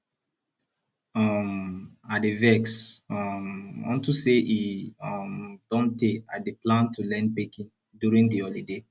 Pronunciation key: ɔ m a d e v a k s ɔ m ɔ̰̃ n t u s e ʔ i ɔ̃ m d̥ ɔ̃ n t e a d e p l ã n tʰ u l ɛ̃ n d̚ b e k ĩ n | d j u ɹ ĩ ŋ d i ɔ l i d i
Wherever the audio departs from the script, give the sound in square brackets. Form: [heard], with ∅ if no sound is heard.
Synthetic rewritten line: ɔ m a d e v [ɛ] k s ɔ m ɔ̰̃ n t u s e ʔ i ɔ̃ m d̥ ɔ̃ n t e a d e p l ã n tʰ u l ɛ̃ n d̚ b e k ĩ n | d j u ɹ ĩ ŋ d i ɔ l i d [e]